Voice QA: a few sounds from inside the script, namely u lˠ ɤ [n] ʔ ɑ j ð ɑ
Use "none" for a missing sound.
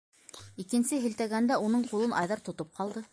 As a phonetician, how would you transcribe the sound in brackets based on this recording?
n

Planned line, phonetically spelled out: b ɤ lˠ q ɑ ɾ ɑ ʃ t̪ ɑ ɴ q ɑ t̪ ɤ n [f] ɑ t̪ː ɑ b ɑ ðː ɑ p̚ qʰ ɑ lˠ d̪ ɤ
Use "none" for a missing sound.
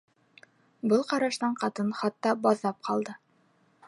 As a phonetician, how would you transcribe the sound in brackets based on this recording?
χ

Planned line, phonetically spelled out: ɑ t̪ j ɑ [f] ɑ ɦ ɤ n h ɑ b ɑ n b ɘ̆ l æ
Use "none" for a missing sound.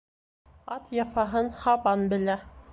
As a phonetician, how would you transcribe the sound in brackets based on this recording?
f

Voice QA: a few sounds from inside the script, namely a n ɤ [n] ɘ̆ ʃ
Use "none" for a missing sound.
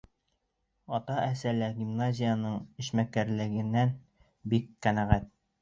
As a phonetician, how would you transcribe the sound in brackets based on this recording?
ɴ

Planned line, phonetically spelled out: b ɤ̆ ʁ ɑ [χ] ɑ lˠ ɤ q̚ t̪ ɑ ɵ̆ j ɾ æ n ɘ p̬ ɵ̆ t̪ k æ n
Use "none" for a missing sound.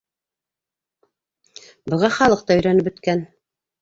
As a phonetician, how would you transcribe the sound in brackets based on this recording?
χ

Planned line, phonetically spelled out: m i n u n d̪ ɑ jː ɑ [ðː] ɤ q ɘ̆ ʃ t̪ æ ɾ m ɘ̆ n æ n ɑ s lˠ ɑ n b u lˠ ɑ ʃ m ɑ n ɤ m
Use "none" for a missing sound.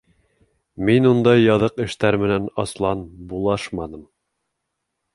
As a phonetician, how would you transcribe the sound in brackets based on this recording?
ð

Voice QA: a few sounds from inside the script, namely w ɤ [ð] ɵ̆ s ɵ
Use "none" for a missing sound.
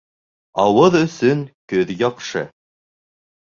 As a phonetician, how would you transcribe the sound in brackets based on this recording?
ð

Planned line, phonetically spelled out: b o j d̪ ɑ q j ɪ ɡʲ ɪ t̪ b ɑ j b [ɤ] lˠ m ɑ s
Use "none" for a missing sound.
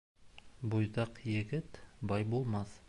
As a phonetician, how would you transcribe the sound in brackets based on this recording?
o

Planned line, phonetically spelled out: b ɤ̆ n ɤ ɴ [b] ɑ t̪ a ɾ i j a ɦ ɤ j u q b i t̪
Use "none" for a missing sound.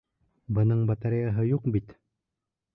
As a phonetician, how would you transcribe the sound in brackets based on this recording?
b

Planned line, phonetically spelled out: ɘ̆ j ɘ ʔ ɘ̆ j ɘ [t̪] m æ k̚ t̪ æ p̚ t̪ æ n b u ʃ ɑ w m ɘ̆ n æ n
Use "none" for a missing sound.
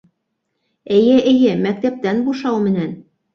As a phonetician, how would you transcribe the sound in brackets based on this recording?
none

